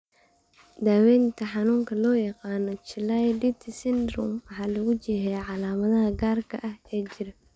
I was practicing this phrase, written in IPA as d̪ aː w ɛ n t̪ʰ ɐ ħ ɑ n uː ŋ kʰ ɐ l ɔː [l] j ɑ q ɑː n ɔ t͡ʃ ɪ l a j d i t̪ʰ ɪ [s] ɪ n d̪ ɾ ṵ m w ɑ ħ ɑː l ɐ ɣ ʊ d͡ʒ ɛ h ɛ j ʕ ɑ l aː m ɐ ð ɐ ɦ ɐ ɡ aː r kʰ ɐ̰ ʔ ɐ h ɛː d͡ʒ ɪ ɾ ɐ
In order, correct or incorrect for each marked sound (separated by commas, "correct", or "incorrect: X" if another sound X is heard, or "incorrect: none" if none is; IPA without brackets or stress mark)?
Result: incorrect: none, correct